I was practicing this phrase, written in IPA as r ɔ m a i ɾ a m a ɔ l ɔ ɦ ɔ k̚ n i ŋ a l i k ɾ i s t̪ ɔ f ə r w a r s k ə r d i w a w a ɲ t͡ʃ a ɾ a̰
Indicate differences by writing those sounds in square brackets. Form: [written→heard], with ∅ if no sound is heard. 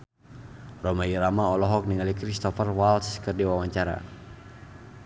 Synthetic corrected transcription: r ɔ m a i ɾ a m a ɔ l ɔ ɦ ɔ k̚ n i ŋ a l i k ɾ i s t̪ ɔ f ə r w a [r→l] s k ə r d i w a w a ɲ t͡ʃ a ɾ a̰

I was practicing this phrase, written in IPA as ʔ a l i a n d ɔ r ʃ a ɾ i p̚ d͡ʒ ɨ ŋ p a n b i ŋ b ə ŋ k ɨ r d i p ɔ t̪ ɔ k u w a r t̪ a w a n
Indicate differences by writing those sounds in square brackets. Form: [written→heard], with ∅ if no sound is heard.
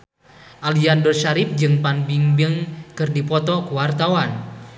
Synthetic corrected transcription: ʔ a l i a n d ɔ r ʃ a ɾ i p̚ d͡ʒ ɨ ŋ p a n b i ŋ b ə ŋ k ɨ r d i p ɔ t̪ ɔ k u w a r t̪ a w a n

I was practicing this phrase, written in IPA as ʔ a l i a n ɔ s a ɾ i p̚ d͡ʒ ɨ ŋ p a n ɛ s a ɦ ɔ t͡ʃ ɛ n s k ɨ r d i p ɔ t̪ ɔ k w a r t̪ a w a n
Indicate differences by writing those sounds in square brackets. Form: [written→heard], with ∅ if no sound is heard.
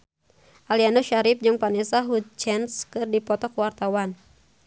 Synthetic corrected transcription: ʔ a l i a n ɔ [s→ʃ] a ɾ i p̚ d͡ʒ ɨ ŋ p a n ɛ s a ɦ [ɔ→u] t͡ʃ ɛ n s k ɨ r d i p ɔ t̪ ɔ k w a r t̪ a w a n

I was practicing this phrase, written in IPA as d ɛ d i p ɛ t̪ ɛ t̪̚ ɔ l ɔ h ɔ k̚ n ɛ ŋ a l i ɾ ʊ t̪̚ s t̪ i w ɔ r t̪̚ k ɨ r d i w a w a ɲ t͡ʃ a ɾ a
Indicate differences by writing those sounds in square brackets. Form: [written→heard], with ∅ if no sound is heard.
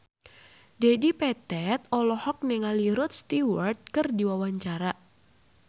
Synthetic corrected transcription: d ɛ d i p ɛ t̪ ɛ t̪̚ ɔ l ɔ h ɔ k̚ n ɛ ŋ a l i ɾ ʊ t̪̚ s t̪ i w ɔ r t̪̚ k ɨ r d i w a w a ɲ t͡ʃ a ɾ a

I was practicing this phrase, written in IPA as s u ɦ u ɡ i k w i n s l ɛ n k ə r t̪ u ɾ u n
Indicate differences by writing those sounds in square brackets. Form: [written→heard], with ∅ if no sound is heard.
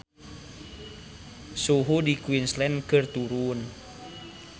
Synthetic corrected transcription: s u ɦ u [ɡ→d] i k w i n s l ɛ n k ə r t̪ u ɾ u n

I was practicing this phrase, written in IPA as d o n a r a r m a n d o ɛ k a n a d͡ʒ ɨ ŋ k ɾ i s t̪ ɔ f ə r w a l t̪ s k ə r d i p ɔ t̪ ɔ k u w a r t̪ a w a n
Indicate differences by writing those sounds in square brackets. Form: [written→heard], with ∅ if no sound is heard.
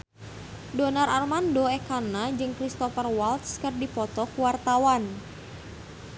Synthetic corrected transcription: d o n a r a r m a n d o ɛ k a n a d͡ʒ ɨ ŋ k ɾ i s t̪ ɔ f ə r w a l t̪ s k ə r d i p ɔ t̪ ɔ k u w a r t̪ a w a n

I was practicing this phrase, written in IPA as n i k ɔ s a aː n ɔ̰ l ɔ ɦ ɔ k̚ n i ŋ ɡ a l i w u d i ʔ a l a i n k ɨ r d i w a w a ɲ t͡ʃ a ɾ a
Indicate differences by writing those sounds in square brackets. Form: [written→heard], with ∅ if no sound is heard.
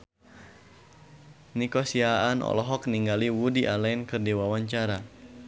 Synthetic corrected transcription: n i k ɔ s [a→i] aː n ɔ̰ l ɔ ɦ ɔ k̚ n i ŋ ɡ a l i w u d i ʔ a l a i n k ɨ r d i w a w a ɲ t͡ʃ a ɾ a

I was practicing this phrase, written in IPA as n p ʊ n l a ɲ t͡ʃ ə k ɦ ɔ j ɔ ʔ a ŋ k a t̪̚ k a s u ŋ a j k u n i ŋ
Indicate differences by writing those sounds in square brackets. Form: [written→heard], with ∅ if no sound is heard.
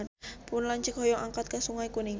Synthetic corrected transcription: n p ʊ n l a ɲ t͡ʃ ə k ɦ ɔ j ɔ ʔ a ŋ k a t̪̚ k a s u ŋ a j k u n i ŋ

